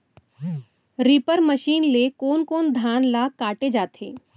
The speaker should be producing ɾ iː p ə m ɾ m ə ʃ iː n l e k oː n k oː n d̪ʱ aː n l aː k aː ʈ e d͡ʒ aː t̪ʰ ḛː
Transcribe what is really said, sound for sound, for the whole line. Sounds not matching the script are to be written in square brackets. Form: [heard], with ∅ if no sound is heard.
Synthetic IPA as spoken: ɾ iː p ə [∅] ɾ m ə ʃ iː n l e k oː n k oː n d̪ʱ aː n l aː k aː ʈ e d͡ʒ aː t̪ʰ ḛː